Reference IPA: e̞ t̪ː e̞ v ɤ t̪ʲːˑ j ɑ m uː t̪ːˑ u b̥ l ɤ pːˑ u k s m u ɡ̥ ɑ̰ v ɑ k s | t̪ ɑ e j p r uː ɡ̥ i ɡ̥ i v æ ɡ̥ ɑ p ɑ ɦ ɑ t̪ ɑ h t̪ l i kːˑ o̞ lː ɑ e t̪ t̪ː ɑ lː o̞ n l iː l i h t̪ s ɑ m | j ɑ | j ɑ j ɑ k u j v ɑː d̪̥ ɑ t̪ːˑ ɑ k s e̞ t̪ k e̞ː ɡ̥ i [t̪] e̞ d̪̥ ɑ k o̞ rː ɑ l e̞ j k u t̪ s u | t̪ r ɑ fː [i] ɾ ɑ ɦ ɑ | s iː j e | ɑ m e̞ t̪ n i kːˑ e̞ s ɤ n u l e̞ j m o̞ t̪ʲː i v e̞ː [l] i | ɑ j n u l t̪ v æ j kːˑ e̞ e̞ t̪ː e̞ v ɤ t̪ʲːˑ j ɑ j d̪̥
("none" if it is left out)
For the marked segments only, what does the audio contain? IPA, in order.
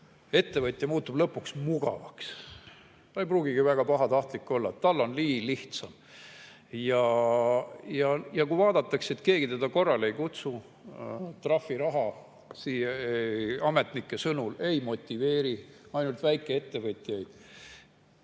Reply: t̪, i, ɾ

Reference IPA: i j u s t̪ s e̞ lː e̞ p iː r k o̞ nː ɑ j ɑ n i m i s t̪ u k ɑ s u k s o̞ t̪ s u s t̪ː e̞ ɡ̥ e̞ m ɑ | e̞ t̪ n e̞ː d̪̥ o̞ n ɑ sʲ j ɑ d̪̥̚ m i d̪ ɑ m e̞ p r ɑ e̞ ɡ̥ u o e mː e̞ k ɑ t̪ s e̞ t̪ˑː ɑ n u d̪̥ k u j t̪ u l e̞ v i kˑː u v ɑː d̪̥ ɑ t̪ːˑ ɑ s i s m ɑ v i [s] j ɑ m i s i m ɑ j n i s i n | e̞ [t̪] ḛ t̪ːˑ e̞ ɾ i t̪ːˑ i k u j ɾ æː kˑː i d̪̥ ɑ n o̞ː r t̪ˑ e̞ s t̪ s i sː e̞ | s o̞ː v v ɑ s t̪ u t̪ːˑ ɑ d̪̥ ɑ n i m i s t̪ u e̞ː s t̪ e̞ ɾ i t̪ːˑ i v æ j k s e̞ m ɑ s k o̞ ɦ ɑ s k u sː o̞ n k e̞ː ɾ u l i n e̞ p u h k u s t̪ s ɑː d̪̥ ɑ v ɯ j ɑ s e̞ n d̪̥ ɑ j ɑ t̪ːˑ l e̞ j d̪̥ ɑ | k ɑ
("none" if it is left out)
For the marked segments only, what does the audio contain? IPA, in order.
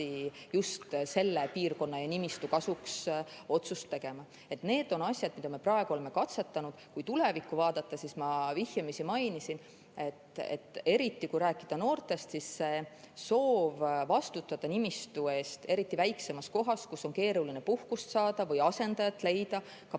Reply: h, t̪

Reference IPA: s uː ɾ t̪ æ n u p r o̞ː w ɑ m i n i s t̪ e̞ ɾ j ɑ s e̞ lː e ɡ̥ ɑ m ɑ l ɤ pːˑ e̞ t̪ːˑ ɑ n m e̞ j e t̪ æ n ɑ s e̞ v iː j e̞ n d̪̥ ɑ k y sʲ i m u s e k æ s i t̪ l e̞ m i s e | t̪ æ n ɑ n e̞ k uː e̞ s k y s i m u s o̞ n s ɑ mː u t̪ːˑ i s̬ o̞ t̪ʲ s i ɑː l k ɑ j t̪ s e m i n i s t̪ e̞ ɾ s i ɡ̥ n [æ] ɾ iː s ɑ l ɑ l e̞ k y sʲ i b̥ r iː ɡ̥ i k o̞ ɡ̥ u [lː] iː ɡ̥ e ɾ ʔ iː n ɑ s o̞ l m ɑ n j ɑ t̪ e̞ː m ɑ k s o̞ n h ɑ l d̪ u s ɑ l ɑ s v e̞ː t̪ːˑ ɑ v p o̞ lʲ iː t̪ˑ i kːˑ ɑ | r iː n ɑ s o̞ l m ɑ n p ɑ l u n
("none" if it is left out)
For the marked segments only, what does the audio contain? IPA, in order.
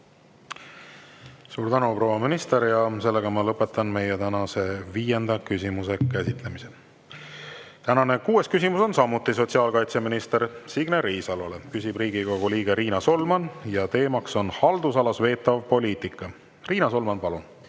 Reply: e, l

